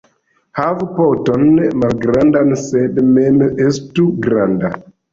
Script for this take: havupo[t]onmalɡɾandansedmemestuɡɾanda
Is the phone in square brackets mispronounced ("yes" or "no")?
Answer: no